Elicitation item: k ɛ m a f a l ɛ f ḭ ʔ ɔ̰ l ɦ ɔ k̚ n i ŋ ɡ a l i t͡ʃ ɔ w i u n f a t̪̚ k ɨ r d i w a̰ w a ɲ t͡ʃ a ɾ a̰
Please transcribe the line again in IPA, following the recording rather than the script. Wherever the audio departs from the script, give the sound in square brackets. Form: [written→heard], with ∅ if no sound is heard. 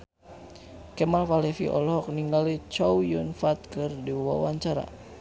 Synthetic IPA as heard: k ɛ m a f a l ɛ f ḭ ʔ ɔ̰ l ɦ ɔ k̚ n i ŋ ɡ a l i t͡ʃ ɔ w [i→j] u n f a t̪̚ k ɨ r d i w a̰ w a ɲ t͡ʃ a ɾ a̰

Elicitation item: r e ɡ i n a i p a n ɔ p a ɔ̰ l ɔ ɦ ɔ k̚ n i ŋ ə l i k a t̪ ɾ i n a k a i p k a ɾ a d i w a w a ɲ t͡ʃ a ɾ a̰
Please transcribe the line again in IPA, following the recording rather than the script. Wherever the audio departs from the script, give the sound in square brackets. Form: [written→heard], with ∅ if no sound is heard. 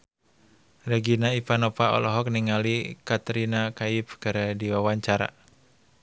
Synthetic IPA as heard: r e ɡ i n a i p a n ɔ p a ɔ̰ l ɔ ɦ ɔ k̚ n i ŋ [ə→a] l i k a t̪ ɾ i n a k a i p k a ɾ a d i w a w a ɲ t͡ʃ a ɾ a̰

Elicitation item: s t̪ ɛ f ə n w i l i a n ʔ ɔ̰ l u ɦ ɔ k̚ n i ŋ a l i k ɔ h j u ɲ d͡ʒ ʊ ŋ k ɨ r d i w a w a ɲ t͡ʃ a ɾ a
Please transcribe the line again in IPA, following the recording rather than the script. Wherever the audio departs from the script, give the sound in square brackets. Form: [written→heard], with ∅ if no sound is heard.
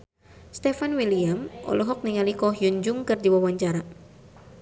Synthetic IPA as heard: s t̪ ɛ f [ə→a] n w i l i a [n→m] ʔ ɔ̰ l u ɦ ɔ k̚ n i ŋ a l i k ɔ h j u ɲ d͡ʒ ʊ ŋ k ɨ r d i w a w a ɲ t͡ʃ a ɾ a

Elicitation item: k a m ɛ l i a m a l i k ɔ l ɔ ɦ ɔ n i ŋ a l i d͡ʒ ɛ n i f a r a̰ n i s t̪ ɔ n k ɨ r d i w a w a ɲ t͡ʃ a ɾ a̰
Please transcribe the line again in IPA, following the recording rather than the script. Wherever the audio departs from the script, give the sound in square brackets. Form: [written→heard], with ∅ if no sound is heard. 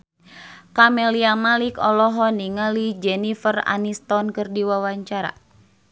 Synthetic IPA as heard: k a m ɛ l i a m a l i k ɔ l ɔ ɦ ɔ n i ŋ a l i d͡ʒ ɛ n i f [a→ə] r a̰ n i s t̪ ɔ n k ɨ r d i w a w a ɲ t͡ʃ a ɾ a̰

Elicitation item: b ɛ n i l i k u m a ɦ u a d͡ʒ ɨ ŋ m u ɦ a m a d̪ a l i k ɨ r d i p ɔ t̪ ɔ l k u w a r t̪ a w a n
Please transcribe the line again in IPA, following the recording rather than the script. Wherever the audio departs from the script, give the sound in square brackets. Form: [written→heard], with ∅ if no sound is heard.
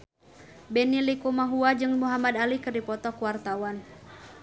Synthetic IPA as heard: b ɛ n i l i k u m a ɦ u a d͡ʒ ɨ ŋ m u ɦ a m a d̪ a l i k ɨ r d i p ɔ t̪ ɔ [l→∅] k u w a r t̪ a w a n

